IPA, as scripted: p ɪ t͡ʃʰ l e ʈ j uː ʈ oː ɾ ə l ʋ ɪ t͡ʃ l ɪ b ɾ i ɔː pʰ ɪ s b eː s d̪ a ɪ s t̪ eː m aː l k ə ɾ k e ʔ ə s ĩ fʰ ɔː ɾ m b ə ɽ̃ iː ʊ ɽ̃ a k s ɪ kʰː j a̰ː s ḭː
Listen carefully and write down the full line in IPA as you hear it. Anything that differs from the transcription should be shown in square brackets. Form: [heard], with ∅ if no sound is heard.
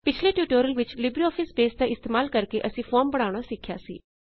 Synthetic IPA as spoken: p ɪ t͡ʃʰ l e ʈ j uː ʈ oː ɾ ə l ʋ ɪ t͡ʃ l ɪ b ɾ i ɔː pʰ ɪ s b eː s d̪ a ɪ s t̪ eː m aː l k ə ɾ k e ʔ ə s ĩ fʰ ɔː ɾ m b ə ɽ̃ [aː] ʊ ɽ̃ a [∅] s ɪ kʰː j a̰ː s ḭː